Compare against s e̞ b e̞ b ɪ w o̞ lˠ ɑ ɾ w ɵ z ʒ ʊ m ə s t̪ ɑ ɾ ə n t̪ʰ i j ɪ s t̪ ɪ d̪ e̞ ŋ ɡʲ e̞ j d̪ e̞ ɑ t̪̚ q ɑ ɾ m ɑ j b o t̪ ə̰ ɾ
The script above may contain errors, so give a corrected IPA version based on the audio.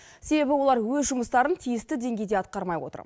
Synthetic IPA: s e̞ b e̞ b ɪ w o̞ lˠ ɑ ɾ w ɵ z ʒ ʊ m ə s t̪ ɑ ɾ ə n t̪ʰ i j ɪ s t̪ ɪ d̪ e̞ ŋ ɡʲ e̞ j d̪ e̞ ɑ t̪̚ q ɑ ɾ m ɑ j w o t̪ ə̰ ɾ